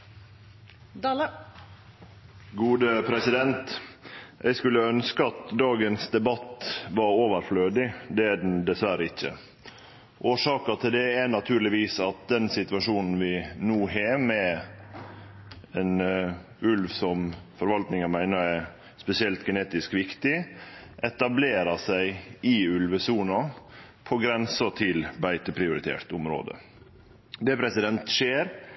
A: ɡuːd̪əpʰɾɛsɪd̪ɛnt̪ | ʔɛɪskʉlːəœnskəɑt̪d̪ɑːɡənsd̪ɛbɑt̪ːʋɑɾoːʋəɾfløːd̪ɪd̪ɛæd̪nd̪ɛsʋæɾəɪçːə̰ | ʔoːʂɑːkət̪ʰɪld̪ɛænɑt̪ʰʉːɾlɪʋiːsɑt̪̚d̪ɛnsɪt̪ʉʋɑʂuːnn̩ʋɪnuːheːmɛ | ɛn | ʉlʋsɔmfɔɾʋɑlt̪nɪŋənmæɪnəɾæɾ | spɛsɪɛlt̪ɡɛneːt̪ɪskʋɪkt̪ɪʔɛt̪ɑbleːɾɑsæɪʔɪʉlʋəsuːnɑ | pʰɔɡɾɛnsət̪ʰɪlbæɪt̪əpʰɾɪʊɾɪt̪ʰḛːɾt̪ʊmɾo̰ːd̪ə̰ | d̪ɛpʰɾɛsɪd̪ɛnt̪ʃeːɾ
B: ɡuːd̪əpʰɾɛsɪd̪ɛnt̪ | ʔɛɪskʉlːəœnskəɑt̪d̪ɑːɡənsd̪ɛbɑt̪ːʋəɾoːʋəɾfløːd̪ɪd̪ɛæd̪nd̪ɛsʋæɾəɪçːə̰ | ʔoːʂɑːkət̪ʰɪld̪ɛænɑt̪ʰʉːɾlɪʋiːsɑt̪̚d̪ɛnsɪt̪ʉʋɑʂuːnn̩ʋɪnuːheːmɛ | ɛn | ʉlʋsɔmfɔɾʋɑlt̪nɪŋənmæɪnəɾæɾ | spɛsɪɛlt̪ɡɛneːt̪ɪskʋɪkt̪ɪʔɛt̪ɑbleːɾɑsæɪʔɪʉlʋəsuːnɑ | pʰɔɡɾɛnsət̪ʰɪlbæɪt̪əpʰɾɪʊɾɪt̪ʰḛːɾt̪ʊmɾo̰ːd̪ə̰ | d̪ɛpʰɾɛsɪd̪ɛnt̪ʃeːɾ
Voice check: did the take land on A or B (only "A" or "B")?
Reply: A